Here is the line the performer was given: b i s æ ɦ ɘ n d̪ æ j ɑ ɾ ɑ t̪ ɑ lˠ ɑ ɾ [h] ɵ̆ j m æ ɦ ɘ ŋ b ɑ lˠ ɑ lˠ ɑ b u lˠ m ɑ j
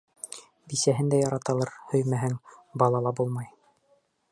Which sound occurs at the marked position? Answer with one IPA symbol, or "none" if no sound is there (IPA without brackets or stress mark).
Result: h